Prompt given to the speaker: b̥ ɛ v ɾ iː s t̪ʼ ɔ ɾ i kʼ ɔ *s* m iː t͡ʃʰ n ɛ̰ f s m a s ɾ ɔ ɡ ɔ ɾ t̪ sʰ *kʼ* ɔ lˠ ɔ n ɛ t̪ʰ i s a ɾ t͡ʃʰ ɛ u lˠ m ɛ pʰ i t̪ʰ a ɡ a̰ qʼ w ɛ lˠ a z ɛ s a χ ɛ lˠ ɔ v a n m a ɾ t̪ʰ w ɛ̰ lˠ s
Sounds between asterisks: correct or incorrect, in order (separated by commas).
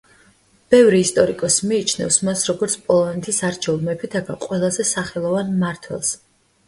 correct, incorrect